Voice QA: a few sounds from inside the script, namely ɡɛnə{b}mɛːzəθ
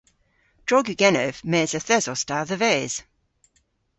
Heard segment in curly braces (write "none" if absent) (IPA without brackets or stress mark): v